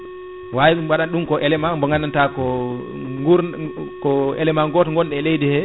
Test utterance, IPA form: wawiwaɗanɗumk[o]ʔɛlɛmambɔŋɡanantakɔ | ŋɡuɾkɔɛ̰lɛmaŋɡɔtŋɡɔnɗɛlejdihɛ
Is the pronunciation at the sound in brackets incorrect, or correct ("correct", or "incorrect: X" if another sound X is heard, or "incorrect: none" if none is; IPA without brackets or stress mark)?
incorrect: ɔ